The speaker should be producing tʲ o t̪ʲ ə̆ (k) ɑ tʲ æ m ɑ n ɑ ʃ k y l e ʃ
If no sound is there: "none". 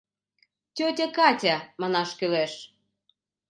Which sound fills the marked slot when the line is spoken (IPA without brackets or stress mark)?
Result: k